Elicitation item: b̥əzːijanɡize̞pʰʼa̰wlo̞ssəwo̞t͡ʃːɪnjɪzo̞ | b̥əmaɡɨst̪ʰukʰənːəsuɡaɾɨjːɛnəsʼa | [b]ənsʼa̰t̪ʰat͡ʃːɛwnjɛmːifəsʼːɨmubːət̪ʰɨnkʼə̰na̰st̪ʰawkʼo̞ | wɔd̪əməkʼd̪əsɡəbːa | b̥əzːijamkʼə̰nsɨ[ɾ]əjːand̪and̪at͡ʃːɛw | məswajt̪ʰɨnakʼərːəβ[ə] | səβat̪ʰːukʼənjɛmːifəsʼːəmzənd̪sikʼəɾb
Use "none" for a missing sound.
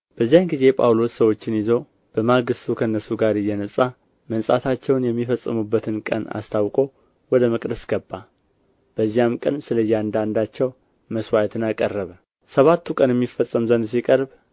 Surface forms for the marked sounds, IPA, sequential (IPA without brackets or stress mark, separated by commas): m, l, ə